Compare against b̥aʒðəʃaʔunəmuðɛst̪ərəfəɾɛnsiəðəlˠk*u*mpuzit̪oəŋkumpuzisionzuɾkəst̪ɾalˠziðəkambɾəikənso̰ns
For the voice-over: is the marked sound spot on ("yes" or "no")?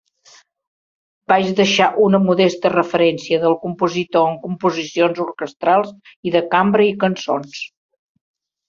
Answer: yes